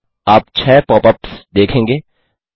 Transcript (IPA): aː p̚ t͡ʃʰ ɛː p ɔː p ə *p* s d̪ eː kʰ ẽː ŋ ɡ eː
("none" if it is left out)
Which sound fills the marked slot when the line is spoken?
p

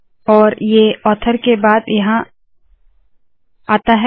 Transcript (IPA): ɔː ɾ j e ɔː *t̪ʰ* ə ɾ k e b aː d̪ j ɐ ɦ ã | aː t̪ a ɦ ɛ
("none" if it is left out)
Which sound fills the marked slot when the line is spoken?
t̪ʰ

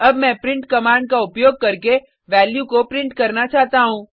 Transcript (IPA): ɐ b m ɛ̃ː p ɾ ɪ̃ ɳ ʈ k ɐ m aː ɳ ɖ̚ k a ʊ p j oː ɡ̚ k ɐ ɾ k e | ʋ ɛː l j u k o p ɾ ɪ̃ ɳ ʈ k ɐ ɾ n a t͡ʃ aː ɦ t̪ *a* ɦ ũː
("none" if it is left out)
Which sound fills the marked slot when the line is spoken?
a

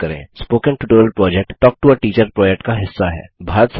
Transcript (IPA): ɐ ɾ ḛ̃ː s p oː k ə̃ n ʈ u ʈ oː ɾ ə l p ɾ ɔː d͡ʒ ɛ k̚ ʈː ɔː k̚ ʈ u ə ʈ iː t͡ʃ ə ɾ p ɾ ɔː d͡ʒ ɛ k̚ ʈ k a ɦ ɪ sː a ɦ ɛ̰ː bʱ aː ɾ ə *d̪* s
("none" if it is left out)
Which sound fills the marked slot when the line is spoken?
t̪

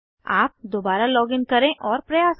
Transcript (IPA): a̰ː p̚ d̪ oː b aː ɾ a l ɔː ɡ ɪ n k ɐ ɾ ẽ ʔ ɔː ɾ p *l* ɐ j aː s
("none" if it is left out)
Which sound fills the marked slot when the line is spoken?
ɾ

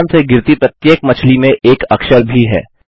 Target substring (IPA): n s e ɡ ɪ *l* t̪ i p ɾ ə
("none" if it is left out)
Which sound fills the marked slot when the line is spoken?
ɾ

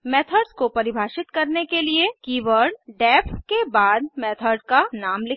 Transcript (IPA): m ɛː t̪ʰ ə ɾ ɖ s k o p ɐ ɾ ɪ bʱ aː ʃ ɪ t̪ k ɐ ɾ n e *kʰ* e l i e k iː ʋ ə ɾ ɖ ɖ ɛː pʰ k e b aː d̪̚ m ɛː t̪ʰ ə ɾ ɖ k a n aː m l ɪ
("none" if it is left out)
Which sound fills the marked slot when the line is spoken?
k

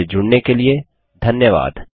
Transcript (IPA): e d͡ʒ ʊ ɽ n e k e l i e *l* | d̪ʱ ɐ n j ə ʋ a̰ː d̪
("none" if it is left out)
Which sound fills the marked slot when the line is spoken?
none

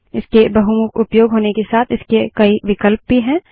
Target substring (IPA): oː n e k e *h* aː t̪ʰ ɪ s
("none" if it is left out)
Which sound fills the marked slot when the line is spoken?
s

